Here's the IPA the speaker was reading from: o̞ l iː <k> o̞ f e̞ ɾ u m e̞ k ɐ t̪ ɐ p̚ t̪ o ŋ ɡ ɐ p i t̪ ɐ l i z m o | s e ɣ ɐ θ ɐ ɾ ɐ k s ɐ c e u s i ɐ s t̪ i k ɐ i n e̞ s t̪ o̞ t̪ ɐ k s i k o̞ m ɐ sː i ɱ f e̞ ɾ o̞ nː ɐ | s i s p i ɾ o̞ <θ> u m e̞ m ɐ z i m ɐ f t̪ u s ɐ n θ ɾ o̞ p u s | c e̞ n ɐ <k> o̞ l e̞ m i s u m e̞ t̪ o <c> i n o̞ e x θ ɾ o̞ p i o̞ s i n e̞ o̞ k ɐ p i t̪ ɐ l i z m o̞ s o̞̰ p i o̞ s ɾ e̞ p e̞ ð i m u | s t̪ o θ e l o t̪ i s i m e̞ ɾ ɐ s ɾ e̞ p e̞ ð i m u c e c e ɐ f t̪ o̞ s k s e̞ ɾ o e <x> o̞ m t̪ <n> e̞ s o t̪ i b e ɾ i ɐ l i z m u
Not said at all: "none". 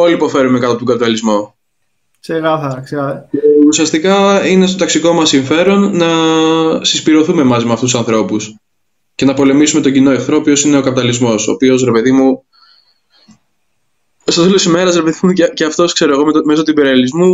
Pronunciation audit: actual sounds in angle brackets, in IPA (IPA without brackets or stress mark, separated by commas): p, θ, p, ɟ, ɣ, m